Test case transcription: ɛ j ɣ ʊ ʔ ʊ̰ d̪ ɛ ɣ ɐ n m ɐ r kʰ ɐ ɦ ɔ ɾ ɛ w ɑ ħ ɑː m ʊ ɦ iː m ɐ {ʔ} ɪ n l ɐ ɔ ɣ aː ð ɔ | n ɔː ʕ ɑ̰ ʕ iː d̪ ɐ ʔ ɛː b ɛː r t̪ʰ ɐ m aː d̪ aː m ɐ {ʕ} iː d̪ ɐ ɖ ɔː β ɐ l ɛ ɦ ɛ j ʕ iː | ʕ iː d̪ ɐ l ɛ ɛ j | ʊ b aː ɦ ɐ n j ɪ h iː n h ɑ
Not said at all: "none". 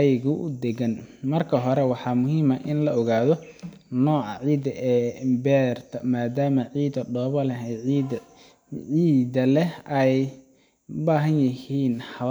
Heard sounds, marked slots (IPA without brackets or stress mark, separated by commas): ʔ, ʕ